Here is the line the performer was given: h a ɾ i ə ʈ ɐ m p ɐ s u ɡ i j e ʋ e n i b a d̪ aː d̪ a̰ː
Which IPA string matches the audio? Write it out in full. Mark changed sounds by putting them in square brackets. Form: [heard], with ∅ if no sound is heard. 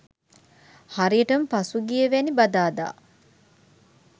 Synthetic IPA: h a ɾ i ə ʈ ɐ m p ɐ s u ɡ i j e ʋ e n i b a d̪ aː d̪ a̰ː